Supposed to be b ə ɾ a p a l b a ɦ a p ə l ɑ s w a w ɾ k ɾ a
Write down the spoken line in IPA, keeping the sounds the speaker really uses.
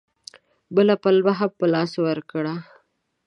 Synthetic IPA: b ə l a p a l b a ɦ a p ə l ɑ s w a ɾ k ɽ a